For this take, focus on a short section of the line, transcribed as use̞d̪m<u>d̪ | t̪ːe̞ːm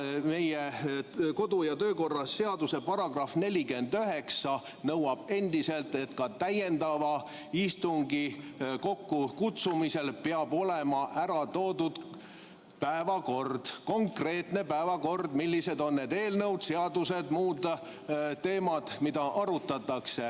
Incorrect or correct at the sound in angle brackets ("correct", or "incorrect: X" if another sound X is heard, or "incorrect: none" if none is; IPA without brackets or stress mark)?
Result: incorrect: uː